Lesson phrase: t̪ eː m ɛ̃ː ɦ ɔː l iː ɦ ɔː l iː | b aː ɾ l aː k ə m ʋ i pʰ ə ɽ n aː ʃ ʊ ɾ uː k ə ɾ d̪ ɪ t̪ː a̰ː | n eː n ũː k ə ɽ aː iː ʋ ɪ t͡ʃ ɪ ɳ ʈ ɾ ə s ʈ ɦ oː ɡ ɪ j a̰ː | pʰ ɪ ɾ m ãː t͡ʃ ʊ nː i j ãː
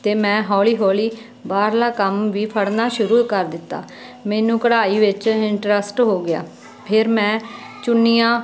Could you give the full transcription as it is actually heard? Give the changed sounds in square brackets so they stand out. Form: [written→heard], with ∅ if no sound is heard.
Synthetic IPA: t̪ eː m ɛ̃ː ɦ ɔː l iː ɦ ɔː l iː | b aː ɾ l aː k ə m ʋ [i→iː] pʰ ə ɽ n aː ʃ ʊ ɾ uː k ə ɾ d̪ ɪ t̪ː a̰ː | [n→m] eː n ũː k ə ɽ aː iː ʋ ɪ t͡ʃ ɪ ɳ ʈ ɾ ə s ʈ ɦ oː ɡ ɪ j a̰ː | pʰ ɪ ɾ m [ãː→ɛ̃ː] t͡ʃ ʊ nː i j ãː